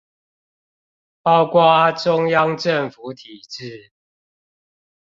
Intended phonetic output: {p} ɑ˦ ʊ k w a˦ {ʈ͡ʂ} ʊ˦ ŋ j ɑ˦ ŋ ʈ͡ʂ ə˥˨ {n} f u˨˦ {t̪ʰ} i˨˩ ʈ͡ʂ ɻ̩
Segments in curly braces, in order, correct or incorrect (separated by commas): correct, correct, incorrect, correct